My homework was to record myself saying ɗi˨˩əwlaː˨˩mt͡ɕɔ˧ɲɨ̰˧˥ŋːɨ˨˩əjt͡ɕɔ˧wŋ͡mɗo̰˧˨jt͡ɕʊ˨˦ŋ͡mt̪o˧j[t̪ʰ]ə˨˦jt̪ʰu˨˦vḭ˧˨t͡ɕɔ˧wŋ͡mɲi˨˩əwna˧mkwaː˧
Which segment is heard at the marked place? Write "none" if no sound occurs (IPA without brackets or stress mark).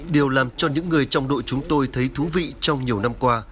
t̪ʰ